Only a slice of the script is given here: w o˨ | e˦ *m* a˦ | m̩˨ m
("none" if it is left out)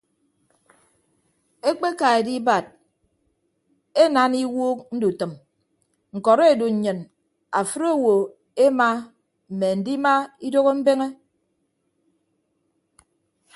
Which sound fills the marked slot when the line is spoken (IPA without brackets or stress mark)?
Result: m